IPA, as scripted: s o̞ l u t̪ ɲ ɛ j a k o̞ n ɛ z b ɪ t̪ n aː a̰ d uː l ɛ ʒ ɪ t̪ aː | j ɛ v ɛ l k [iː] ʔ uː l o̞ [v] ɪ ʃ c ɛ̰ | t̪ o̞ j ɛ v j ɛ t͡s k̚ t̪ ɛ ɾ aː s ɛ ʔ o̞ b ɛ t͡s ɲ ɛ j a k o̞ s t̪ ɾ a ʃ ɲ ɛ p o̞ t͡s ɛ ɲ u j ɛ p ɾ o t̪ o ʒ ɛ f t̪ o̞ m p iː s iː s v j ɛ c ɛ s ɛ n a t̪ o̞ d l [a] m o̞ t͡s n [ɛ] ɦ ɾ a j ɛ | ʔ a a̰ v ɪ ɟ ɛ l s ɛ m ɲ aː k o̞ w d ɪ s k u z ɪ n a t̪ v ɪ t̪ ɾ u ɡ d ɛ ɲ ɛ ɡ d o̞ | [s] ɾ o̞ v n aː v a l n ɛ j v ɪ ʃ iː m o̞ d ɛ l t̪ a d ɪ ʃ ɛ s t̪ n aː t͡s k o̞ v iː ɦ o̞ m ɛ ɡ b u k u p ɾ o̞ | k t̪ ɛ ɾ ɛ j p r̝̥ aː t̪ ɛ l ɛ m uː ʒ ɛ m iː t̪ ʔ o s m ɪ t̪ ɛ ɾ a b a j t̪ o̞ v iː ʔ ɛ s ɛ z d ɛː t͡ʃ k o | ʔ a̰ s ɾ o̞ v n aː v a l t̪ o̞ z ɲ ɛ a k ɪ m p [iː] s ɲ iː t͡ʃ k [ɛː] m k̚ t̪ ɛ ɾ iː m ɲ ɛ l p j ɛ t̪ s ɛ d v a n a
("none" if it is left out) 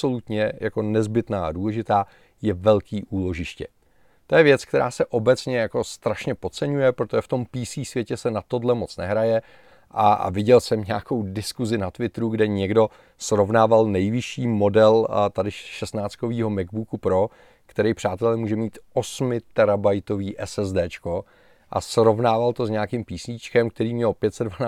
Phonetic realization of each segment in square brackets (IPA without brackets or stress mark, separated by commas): iː, ʒ, ɛ, ɛ, s, iː, ɛ